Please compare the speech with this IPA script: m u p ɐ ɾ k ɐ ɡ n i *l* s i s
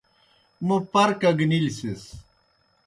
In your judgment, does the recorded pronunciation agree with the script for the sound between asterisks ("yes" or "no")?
yes